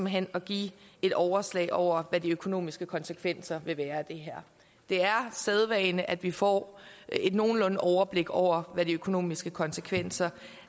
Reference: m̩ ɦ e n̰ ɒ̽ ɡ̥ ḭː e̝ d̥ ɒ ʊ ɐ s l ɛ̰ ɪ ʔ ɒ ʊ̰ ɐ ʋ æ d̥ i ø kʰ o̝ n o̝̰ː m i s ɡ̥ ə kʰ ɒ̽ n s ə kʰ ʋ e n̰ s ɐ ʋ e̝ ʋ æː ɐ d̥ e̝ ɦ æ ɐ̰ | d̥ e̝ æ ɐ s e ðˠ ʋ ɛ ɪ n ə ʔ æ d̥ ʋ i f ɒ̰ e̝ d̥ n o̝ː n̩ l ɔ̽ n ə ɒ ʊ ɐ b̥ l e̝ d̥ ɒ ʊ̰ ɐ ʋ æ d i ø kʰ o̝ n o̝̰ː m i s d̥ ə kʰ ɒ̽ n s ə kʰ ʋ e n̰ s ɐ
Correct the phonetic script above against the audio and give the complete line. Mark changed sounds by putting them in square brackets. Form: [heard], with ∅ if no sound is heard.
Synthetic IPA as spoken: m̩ ɦ e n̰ ɒ̽ ɡ̥ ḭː e̝ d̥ ɒ ʊ ɐ s l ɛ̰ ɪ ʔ ɒ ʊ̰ ɐ ʋ æ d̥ i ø kʰ o̝ n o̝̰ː m i s ɡ̥ ə kʰ ɒ̽ n s ə kʰ ʋ e n̰ s ɐ ʋ e̝ ʋ æː ɐ d̥ e̝ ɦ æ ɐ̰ | d̥ e̝ æ ɐ s e ðˠ ʋ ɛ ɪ n ə ʔ æ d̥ ʋ i f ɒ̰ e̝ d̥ n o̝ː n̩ l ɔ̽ n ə ɒ ʊ ɐ b̥ l e̝ [ɡ̥] ɒ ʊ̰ ɐ ʋ æ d i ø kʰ o̝ n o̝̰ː m i s [ɡ̥] ə kʰ ɒ̽ n s ə kʰ ʋ e n̰ s ɐ